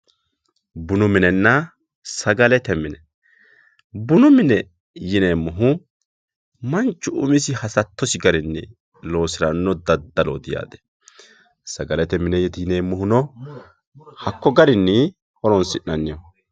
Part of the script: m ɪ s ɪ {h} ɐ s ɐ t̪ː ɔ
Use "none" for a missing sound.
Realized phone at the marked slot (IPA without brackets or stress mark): h